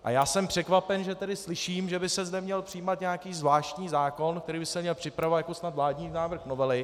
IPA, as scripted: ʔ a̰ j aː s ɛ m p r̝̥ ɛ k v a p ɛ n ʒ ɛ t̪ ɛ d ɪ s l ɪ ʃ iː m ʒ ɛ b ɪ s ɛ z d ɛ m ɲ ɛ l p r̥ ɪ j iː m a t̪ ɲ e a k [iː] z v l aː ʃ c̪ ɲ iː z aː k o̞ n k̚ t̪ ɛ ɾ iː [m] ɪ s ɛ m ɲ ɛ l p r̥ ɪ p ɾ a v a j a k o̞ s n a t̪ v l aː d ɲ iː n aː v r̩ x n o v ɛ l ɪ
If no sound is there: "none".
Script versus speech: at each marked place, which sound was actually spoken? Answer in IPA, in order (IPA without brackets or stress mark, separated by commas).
iː, b